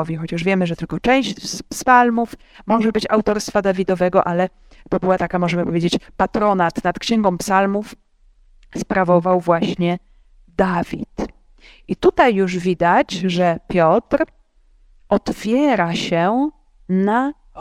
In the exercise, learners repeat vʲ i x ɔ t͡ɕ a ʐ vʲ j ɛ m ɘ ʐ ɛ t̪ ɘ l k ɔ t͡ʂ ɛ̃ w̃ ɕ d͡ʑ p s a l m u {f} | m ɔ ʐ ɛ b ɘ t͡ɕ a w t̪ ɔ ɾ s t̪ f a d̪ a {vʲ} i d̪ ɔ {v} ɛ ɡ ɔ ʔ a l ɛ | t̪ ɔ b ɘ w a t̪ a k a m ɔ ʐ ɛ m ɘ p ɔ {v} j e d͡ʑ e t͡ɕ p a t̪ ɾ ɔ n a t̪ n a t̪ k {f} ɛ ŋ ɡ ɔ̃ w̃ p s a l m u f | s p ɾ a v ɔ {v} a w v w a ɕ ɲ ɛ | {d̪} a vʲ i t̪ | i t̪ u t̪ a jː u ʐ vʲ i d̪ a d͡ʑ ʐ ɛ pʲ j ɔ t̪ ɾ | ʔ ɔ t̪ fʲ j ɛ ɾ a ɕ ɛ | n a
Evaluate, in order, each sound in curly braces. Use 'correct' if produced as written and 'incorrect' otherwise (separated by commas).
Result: correct, correct, correct, correct, incorrect, correct, correct